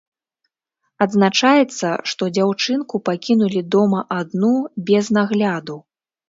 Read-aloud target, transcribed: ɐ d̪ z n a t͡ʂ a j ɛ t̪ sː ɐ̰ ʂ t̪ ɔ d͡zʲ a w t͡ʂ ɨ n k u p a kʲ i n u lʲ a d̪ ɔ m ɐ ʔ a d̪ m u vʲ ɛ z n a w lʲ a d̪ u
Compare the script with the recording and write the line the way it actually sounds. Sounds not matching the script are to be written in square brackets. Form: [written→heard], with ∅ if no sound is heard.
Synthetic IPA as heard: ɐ d̪ z n a t͡ʂ a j ɛ t̪ sː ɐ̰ ʂ t̪ ɔ d͡zʲ a w t͡ʂ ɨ n k u p a kʲ i n u lʲ [a→i] d̪ ɔ m ɐ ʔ a d̪ [m→n] u [vʲ→bʲ] ɛ z n a [w→ɣ] lʲ a d̪ u